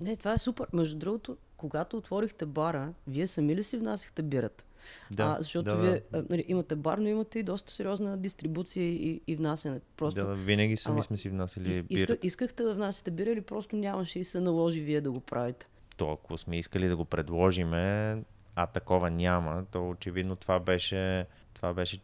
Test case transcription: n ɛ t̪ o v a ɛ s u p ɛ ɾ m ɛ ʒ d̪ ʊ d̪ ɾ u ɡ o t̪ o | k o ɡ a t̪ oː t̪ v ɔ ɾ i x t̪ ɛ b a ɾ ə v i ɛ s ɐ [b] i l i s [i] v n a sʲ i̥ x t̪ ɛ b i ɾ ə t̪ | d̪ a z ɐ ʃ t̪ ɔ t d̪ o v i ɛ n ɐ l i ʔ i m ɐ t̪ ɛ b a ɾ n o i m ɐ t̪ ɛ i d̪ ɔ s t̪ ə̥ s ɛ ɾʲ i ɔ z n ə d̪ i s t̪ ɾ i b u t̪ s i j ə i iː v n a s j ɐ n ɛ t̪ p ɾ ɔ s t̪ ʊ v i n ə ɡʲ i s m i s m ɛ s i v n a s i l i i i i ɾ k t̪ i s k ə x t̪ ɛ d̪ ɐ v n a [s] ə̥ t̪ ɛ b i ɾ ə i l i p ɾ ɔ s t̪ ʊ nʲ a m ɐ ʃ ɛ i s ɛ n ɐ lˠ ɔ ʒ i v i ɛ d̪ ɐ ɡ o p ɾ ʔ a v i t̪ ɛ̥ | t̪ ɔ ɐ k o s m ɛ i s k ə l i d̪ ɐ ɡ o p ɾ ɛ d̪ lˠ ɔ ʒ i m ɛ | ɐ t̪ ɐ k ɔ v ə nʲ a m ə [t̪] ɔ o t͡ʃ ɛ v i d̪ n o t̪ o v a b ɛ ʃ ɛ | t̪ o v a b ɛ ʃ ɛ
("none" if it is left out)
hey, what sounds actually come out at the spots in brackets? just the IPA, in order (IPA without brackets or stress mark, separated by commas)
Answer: m, i, s, t̪